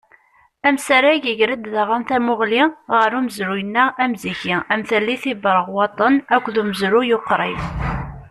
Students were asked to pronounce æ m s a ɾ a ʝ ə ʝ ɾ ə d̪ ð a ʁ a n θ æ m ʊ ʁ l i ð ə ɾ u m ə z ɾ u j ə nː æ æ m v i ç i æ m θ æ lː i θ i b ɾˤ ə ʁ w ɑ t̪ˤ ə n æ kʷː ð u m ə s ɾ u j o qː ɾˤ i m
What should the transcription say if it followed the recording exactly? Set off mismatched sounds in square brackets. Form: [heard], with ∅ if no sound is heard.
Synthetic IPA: æ m s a ɾ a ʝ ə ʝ ɾ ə d̪ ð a ʁ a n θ æ m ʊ ʁ l i [ʁ] ə ɾ u m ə z ɾ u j ə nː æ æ m [z] i ç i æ m θ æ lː i θ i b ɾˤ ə ʁ w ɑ t̪ˤ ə n æ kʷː ð u m ə [z] ɾ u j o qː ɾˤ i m